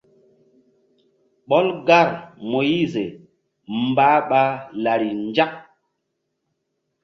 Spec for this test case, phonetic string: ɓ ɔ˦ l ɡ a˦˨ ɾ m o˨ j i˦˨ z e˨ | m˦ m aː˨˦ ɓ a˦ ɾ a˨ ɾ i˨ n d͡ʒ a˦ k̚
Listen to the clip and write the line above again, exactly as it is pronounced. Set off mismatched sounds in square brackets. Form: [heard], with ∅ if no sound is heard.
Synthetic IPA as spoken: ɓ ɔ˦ l ɡ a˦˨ ɾ m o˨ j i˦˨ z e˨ | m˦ [b] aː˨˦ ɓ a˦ [l] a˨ ɾ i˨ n d͡ʒ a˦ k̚